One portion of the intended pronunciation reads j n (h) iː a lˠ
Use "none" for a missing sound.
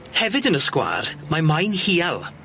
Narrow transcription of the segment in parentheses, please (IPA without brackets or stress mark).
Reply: h